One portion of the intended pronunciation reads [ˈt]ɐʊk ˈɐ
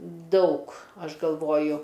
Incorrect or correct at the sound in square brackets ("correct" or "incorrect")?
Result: incorrect